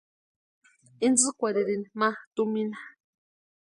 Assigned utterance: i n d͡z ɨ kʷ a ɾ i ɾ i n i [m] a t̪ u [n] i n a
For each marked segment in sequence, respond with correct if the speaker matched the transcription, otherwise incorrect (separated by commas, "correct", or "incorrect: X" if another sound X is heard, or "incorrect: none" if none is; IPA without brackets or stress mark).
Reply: correct, incorrect: m